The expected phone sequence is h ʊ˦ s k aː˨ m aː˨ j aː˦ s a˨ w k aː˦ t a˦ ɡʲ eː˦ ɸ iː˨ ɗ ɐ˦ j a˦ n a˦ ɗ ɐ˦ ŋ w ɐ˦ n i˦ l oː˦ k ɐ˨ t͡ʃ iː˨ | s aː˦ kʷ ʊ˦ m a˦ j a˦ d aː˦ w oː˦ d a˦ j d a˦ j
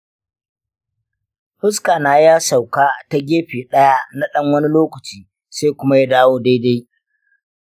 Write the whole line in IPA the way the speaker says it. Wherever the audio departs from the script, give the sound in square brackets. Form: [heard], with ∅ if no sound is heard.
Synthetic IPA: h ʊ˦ s k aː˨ [n] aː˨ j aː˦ s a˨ w k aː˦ t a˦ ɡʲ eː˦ ɸ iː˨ ɗ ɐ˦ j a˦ n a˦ ɗ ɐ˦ ŋ w ɐ˦ n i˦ l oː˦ k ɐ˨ t͡ʃ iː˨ | s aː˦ kʷ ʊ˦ m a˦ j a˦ d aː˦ w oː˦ d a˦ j d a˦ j